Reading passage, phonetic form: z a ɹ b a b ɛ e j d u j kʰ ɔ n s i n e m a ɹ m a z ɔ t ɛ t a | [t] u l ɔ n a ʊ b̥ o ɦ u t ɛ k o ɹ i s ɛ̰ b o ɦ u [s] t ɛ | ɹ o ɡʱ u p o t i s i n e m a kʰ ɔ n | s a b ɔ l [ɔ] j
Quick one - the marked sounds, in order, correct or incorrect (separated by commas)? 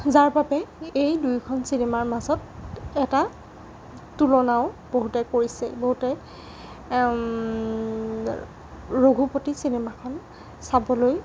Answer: correct, incorrect, incorrect